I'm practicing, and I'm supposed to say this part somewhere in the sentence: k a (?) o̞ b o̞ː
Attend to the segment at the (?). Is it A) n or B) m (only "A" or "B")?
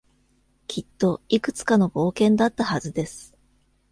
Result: A